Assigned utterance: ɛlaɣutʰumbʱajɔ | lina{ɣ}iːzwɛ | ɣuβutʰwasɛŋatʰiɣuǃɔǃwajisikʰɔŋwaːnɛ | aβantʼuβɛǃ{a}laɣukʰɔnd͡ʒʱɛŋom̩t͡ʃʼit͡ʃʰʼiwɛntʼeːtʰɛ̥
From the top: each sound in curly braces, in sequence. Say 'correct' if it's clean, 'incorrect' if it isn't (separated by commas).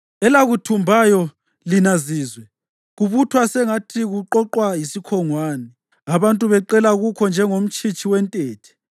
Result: incorrect, incorrect